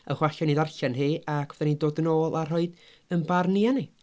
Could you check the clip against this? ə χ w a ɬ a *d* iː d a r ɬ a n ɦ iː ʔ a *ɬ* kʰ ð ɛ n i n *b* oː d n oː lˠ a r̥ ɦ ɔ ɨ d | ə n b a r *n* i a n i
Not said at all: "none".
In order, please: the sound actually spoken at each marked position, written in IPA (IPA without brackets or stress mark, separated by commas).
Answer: n, none, d, n